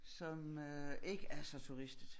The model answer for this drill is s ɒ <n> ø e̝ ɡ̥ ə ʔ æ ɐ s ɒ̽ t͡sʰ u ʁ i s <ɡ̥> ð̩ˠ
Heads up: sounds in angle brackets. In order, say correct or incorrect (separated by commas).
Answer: incorrect, incorrect